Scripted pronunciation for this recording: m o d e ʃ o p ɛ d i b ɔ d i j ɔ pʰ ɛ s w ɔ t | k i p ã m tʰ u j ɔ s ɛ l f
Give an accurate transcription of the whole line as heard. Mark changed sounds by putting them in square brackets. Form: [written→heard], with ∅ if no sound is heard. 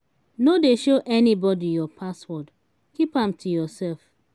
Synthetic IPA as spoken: [m→n] o d e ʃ o [p→ʔ] ɛ [d→n] i b ɔ d i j ɔ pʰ [ɛ→a] s w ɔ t | k i p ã m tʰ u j ɔ s ɛ l f